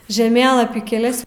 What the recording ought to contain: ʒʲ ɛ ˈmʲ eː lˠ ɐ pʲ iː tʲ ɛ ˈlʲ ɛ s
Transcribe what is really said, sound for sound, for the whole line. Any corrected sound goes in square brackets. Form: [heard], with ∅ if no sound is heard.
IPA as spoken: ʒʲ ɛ ˈmʲ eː lˠ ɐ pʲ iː [kʲ] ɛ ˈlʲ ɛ s